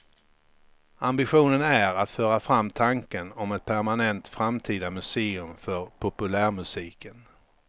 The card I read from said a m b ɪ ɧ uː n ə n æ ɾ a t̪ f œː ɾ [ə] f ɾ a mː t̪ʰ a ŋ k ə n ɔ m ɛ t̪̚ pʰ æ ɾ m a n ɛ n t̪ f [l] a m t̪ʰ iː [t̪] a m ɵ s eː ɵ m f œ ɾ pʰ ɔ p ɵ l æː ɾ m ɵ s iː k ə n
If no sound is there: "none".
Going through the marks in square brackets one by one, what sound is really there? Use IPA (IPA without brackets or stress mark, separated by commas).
a, ɾ, d̪